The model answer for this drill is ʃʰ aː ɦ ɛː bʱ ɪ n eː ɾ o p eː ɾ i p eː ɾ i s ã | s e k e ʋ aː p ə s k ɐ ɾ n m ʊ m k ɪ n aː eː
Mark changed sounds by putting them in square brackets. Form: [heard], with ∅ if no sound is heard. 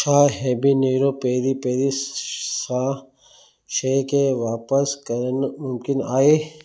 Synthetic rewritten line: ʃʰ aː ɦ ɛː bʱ [i] n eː ɾ o p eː ɾ i p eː ɾ i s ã | [ʃ] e k e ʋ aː p ə s k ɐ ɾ n m ʊ m k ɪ n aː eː